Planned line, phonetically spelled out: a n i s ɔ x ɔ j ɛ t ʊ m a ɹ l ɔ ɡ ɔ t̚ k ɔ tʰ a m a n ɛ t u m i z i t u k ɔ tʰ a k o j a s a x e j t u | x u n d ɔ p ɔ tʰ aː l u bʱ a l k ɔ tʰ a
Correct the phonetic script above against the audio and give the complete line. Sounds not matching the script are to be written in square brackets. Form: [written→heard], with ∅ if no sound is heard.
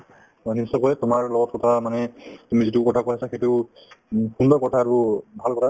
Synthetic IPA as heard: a n i s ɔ [x→k] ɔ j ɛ t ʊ m a ɹ l ɔ ɡ ɔ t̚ k ɔ tʰ a m a n ɛ t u m i z i t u k ɔ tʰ a k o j a s a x e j t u | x u n d ɔ [p→k] ɔ tʰ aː [l→ɹ] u bʱ a l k ɔ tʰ a